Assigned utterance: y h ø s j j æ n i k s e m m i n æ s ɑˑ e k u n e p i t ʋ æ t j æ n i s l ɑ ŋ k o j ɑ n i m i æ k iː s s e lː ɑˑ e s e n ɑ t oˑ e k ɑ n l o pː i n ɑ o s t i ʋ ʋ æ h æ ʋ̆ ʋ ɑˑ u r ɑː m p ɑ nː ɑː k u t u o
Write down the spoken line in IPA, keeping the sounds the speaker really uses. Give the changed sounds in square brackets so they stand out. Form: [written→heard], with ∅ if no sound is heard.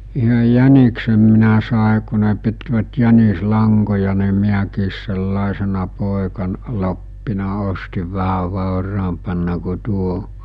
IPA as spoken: y h ø [s→∅] j j æ n i k s e m m i n æ s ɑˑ e k u n e p i t ʋ æ t j æ n i s l ɑ ŋ k o j ɑ n i m i æ k iː s s e lː ɑˑ e s e n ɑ [t→p] oˑ e k ɑ n l o pː i n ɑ o s t i ʋ ʋ æ h æ ʋ̆ ʋ ɑˑ [u→o] r ɑː m p ɑ nː [ɑː→ɑ] k u t u o